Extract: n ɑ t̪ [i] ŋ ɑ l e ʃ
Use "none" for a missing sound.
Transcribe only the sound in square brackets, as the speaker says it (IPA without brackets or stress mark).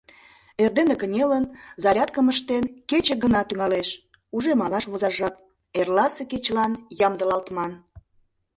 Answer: y